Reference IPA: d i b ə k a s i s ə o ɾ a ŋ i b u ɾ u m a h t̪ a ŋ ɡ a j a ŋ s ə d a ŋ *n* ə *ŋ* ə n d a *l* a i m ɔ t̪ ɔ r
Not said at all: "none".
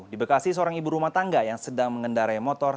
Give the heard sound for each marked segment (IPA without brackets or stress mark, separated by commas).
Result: m, ŋ, ɾ